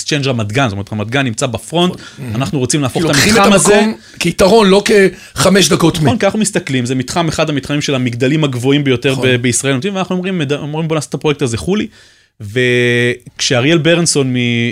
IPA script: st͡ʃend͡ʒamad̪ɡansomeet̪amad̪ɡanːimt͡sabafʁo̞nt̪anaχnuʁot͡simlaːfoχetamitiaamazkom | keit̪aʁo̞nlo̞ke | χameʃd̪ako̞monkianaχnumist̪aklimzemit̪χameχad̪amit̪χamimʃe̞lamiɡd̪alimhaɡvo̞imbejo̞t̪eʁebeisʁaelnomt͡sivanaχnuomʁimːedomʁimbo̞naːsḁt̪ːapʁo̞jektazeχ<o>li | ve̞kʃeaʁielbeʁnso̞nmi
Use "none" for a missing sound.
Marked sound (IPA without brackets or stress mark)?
u